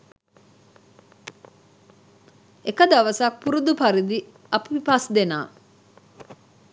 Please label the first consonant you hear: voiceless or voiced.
voiceless